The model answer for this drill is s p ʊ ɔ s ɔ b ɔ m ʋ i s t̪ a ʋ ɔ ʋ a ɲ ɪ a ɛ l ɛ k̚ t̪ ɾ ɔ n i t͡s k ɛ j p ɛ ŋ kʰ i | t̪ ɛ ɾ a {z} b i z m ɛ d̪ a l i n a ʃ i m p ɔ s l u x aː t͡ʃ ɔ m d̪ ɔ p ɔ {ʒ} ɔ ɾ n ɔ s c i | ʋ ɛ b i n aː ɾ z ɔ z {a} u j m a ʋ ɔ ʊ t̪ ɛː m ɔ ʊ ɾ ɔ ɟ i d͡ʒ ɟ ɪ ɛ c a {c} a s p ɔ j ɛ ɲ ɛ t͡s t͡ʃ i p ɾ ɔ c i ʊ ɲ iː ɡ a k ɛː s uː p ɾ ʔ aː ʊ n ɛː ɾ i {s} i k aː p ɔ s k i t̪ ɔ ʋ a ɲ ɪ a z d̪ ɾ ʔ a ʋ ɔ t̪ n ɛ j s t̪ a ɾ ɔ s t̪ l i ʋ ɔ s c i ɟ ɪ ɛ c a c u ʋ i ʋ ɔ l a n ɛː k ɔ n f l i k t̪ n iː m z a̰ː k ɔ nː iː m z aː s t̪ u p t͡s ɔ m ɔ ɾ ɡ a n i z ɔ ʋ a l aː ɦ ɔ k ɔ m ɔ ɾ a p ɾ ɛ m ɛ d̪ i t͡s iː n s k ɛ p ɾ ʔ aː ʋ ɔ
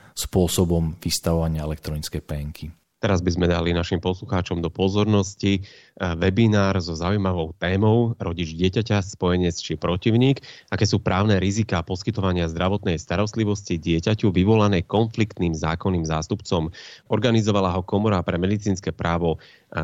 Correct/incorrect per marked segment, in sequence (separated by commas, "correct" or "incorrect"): correct, incorrect, correct, correct, incorrect